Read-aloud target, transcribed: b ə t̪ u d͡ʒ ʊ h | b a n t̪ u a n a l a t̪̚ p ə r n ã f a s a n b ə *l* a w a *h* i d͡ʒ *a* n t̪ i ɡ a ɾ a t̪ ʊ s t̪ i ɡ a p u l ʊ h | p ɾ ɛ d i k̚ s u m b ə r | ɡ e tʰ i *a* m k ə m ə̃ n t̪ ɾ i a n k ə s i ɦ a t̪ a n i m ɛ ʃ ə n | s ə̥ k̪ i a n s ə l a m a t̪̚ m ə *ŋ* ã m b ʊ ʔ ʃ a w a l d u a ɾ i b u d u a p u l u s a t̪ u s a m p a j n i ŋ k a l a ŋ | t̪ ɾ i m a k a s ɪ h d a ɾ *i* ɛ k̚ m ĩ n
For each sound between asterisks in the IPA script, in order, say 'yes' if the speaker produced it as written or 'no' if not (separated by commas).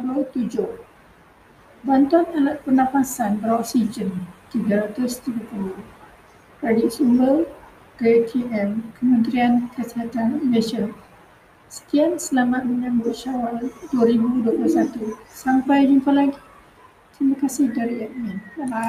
no, no, no, no, no, yes